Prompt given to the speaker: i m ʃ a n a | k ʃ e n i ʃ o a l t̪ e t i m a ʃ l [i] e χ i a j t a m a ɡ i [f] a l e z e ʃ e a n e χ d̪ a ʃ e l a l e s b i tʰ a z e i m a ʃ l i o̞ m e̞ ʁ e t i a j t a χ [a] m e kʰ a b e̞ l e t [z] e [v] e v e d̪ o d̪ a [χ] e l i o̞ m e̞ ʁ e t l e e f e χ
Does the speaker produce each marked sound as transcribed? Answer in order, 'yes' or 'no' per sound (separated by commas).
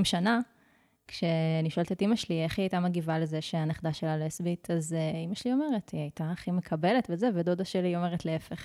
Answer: yes, no, no, no, no, no